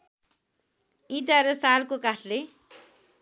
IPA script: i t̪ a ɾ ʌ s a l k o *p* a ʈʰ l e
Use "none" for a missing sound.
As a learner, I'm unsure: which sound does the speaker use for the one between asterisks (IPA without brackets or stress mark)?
k